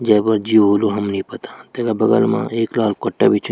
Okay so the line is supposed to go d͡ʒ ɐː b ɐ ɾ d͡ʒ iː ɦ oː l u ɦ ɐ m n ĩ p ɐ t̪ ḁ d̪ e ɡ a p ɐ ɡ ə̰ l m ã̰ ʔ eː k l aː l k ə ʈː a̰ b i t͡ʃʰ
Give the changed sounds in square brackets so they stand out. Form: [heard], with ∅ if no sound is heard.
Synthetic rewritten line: d͡ʒ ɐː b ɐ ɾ d͡ʒ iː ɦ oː l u ɦ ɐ m n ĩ p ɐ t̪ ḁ [t̪] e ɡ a [b] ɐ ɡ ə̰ l m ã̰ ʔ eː k l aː l k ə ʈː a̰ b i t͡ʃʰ